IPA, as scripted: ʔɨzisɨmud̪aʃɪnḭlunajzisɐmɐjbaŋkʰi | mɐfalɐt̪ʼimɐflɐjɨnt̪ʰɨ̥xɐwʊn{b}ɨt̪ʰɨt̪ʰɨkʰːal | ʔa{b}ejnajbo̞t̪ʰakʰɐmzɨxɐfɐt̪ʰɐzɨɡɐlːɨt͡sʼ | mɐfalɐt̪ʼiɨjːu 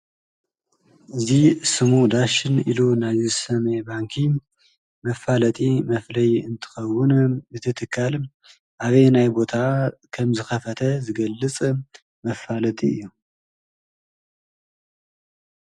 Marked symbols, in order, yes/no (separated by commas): yes, no